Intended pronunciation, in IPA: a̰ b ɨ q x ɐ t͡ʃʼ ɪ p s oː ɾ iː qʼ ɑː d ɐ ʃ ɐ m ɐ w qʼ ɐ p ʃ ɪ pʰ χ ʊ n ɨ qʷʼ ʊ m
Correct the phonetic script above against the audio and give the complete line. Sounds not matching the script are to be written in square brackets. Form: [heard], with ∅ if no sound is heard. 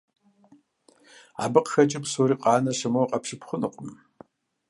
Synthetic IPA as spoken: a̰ b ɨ q x ɐ t͡ʃʼ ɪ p s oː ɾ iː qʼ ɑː [n] ɐ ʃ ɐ m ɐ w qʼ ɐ p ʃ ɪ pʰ χ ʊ n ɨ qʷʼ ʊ m